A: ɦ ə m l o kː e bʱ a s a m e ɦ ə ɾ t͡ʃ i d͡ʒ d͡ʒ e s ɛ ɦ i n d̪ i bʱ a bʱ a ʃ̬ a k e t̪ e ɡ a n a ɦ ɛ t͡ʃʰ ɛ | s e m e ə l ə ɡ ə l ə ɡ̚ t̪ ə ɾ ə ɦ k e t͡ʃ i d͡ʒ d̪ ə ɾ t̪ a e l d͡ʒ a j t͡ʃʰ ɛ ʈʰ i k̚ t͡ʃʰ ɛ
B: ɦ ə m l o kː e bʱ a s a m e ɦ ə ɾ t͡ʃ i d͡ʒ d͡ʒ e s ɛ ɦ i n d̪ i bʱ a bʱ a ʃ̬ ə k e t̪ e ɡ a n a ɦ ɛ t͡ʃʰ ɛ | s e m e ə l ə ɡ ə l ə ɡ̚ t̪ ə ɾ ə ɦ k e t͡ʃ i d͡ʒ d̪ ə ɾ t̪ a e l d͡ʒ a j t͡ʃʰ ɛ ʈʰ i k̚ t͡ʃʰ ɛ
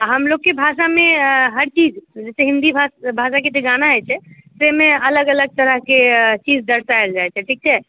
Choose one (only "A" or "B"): A